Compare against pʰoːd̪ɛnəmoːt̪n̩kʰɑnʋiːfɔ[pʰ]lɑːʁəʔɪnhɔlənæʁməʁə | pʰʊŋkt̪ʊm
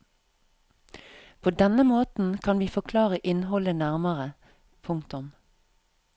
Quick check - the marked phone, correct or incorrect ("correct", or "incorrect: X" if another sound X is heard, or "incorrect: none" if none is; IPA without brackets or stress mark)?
incorrect: kʰ